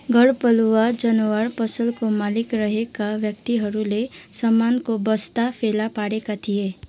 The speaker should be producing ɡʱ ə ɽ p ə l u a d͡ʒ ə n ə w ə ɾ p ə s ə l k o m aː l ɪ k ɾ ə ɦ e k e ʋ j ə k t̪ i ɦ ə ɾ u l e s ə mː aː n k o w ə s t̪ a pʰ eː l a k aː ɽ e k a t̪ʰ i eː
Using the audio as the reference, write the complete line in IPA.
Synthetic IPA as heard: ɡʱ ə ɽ p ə l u a d͡ʒ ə n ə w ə ɾ p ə s ə l k o m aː l ɪ k ɾ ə ɦ e k a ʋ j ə k t̪ i ɦ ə ɾ u l e s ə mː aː n k o b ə s t̪ a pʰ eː l a p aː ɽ e k a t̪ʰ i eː